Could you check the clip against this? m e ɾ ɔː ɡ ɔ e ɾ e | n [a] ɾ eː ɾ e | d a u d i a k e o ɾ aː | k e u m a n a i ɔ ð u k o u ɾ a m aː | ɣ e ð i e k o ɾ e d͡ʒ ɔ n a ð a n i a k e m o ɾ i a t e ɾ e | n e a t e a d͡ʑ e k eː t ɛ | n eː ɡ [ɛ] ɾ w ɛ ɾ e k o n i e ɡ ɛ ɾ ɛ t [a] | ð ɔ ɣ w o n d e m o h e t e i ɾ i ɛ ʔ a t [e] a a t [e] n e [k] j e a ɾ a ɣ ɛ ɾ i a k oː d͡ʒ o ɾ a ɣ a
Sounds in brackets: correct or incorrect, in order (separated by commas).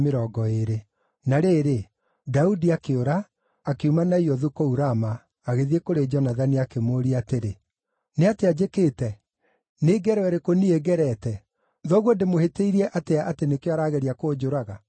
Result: correct, correct, incorrect, correct, correct, correct